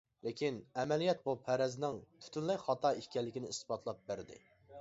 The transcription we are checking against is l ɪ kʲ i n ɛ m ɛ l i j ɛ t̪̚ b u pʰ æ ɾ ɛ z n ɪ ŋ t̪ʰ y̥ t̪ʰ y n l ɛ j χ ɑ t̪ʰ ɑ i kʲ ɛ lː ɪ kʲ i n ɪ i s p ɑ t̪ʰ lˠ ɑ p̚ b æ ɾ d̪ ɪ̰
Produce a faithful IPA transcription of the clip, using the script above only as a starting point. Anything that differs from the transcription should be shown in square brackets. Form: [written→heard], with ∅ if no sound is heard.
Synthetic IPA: l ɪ kʲ i n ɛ m ɛ l i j ɛ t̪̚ b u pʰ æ ɾ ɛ z n ɪ ŋ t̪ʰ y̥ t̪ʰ y n l ɛ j χ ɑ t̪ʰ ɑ i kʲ ɛ lː ɪ kʲ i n ɪ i s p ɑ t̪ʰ lˠ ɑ p̚ b æ ɾ d̪ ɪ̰